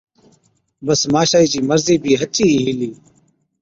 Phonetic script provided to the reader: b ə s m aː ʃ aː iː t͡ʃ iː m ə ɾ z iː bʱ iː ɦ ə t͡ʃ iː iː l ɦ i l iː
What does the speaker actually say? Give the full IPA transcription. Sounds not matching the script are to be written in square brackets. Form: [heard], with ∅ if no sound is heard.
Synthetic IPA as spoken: b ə s m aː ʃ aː iː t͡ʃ iː m ə ɾ z iː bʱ iː ɦ ə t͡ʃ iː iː [∅] ɦ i l iː